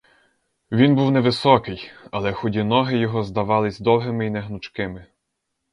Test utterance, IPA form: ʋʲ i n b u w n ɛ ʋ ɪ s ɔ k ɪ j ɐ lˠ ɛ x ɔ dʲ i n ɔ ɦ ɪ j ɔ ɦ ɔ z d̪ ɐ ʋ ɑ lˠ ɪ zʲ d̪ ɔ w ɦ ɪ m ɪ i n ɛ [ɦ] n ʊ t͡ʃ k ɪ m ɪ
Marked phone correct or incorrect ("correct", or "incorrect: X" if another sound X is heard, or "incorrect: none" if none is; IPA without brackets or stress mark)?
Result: correct